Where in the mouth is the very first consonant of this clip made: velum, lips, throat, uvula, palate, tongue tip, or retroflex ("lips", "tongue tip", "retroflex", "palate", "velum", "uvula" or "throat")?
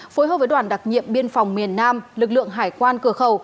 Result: lips